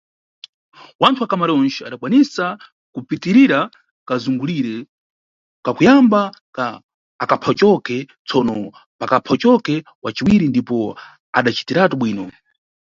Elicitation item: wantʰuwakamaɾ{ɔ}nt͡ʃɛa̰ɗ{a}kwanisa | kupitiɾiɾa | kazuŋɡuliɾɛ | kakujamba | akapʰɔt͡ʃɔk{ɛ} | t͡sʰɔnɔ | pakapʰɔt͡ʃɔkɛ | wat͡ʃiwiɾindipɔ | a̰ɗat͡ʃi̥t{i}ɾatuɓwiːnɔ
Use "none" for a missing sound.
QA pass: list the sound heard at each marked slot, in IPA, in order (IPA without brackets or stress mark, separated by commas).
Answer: ɔ, a, ɛ, i